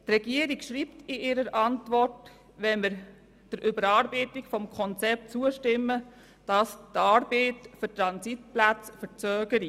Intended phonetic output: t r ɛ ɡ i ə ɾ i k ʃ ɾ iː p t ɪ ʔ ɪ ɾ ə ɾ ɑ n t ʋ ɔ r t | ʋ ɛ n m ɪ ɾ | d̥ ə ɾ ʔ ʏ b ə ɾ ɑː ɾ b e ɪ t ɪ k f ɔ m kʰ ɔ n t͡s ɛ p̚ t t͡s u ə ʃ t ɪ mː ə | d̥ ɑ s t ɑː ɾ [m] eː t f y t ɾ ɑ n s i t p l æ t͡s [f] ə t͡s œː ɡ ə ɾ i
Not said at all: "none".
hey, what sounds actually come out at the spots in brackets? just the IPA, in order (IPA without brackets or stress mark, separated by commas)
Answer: b, f